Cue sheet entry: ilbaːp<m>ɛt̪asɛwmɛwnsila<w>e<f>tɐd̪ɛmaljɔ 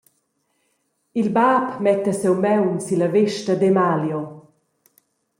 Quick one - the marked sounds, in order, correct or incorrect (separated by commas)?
correct, incorrect, incorrect